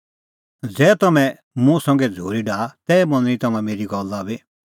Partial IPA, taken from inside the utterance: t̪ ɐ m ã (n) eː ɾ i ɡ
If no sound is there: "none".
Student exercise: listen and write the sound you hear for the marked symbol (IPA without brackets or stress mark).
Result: m